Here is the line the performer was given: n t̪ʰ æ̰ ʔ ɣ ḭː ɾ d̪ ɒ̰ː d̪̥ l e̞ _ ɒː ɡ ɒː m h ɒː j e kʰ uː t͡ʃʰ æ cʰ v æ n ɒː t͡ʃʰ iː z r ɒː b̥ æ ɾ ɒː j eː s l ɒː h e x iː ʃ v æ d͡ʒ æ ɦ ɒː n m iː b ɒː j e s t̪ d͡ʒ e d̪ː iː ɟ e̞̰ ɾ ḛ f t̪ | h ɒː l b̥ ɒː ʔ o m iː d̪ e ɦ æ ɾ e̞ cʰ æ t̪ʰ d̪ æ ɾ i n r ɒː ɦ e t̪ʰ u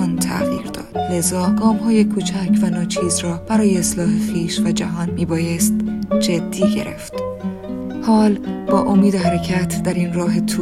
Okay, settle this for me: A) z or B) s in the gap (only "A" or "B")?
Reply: A